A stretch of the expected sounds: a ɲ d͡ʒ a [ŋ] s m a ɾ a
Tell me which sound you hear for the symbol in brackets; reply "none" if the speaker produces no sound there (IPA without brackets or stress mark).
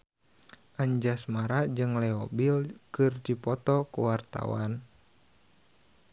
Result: none